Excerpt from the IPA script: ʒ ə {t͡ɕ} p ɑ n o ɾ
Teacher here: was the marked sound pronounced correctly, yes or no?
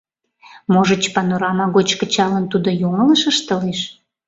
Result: yes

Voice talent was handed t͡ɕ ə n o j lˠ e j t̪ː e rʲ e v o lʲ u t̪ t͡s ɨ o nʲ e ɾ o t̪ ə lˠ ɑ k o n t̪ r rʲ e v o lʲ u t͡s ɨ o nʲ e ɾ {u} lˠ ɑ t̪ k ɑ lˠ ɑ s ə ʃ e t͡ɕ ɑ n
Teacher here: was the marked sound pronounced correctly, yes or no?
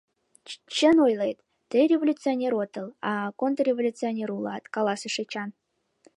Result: yes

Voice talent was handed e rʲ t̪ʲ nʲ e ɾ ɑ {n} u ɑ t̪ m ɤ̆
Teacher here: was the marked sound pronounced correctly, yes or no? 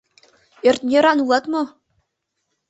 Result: yes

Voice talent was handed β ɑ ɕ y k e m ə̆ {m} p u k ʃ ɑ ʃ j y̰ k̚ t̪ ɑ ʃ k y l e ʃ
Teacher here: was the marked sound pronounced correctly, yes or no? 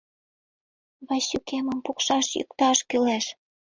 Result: yes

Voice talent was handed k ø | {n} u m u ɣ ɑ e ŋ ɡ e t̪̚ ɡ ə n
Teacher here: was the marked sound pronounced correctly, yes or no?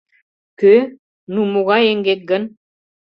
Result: yes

